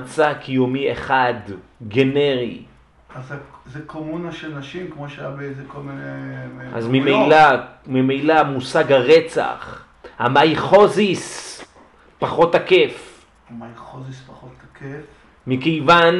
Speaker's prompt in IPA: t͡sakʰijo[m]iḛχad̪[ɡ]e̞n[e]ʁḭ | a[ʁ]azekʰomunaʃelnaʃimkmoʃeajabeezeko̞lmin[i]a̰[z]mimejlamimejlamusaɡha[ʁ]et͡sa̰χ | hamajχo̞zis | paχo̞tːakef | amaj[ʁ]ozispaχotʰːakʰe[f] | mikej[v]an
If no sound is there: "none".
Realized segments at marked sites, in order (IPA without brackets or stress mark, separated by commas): m, ɡ, e, z, e, z, ʁ, χ, f, v